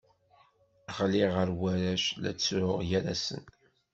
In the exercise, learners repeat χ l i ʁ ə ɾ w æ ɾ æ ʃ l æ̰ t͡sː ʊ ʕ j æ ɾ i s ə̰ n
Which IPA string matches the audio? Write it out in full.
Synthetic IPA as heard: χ l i ʁ ə ɾ w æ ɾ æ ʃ l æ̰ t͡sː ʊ ʁ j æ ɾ æ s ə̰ n